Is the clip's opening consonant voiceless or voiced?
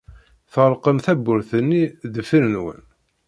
voiceless